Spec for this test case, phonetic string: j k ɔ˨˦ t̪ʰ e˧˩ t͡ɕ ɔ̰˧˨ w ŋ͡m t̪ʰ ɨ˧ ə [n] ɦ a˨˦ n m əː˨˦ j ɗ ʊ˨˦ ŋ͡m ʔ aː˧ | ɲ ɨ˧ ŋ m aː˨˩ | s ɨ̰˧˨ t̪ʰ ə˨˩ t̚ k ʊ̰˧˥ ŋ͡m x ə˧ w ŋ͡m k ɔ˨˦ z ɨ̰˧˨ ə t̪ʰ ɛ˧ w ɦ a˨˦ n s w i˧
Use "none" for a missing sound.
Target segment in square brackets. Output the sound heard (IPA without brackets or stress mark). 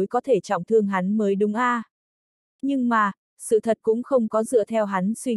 ŋ